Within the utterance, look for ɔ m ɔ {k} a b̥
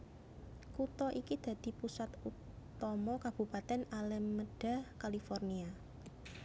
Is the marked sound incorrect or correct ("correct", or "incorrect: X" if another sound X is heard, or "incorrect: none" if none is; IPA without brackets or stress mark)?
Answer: correct